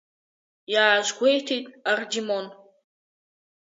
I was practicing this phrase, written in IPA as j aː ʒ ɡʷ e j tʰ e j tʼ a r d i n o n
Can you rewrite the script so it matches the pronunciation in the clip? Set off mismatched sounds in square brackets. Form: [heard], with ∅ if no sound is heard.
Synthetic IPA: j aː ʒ ɡʷ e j tʰ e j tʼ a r d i [m] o n